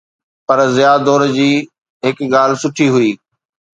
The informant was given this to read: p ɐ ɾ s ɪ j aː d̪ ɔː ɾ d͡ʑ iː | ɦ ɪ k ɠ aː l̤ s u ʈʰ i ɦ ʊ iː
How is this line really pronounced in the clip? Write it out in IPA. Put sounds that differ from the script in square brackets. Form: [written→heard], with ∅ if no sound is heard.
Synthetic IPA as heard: p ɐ ɾ [s→z] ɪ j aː d̪ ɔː ɾ d͡ʑ iː | ɦ ɪ k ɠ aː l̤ s [u→ʊ] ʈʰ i ɦ ʊ iː

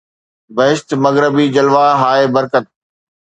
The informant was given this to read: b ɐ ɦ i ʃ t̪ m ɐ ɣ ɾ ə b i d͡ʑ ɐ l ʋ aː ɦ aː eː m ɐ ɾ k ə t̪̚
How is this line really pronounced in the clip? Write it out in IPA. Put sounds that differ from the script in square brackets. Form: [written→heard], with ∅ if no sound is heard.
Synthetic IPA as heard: b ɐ ɦ [i→ɪ] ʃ t̪ m ɐ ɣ ɾ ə b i d͡ʑ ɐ l ʋ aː ɦ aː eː [m→b] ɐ ɾ k ə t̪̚

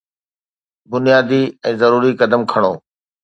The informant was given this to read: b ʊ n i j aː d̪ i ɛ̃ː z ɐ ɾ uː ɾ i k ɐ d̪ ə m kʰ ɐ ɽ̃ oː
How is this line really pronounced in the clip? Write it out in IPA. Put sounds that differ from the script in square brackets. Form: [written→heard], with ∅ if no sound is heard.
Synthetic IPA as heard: b ʊ n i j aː d̪ i ɛ̃ː z ɐ ɾ uː ɾ i k ɐ d̪ ə m kʰ ɐ ɽ̃ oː

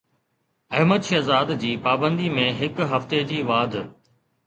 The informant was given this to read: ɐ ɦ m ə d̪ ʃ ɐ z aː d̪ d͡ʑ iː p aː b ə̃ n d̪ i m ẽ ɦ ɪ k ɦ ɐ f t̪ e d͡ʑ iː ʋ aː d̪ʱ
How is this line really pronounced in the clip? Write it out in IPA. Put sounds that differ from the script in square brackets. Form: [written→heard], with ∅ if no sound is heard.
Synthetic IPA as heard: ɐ ɦ m ə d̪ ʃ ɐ z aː d̪ d͡ʑ iː p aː b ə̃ n d̪ i m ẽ ɦ ɪ k ɦ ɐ f t̪ e d͡ʑ iː ʋ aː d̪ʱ

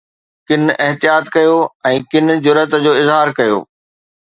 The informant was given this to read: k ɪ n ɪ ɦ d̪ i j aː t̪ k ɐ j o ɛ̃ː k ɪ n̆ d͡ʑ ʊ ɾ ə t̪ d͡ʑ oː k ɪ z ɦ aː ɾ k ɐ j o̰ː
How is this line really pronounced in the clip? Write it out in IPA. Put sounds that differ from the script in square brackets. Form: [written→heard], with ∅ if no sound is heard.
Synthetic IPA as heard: k ɪ n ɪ ɦ [d̪→t̪] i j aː t̪ k ɐ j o ɛ̃ː k ɪ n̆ d͡ʑ ʊ ɾ ə t̪ d͡ʑ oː [k→∅] ɪ z ɦ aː ɾ k ɐ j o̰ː

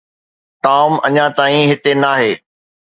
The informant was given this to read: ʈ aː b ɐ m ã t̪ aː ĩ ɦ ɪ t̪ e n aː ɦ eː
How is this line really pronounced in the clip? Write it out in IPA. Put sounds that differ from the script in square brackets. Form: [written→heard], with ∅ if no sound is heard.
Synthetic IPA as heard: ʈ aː [b→m] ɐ [m→ɲ] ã t̪ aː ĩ ɦ ɪ t̪ e n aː ɦ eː

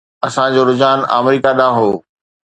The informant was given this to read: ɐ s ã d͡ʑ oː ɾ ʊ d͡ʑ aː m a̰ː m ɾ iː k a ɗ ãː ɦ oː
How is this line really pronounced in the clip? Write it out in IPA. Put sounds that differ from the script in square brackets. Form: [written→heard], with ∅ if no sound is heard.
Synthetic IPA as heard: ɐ s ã d͡ʑ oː ɾ ʊ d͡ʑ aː [m→n] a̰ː m ɾ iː k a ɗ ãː ɦ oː

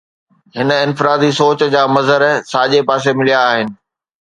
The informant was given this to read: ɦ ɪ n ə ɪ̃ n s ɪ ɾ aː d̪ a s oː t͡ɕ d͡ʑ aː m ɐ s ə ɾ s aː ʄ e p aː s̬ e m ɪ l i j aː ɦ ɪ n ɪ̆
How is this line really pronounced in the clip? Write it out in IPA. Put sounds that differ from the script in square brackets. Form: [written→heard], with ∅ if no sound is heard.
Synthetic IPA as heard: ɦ ɪ n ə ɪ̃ n [s→f] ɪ ɾ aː d̪ [a→i] s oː t͡ɕ d͡ʑ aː m ɐ [s→z] ə ɾ s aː ʄ e p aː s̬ e m ɪ l i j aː ɦ ɪ n ɪ̆

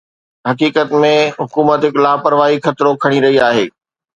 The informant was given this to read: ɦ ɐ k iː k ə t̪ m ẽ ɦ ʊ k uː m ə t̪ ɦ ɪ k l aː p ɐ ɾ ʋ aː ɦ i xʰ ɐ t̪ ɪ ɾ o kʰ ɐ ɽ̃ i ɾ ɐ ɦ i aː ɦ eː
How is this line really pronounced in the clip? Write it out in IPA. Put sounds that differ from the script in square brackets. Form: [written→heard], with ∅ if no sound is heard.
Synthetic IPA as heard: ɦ ɐ k iː k ə t̪ m ẽ ɦ ʊ k uː m ə t̪ ɦ ɪ k l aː p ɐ ɾ ʋ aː ɦ i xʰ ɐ t̪ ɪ ɾ o kʰ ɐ ɽ̃ i ɾ ɐ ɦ i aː ɦ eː

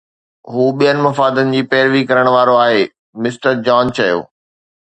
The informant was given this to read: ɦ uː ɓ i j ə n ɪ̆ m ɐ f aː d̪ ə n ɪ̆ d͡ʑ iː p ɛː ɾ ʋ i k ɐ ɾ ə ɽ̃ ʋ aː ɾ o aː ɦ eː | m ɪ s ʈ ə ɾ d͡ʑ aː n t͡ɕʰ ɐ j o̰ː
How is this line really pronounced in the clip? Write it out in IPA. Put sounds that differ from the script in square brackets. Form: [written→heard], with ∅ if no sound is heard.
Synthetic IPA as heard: ɦ uː ɓ i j ə n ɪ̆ m ɐ f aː d̪ ə n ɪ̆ d͡ʑ iː p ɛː ɾ ʋ i k ɐ ɾ ə ɽ̃ ʋ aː ɾ o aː ɦ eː | m ɪ s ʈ ə ɾ d͡ʑ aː n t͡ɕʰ ɐ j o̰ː

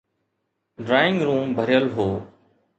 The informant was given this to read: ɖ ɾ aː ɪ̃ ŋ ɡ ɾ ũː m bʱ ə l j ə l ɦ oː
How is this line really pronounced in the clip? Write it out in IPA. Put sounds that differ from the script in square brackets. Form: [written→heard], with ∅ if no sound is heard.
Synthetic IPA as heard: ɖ ɾ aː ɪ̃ ŋ ɡ ɾ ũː m bʱ ə [l→ɾ] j ə l ɦ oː

